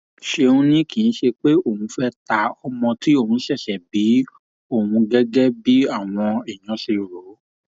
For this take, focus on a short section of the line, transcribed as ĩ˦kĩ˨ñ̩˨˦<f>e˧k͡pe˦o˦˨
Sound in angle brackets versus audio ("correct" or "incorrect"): incorrect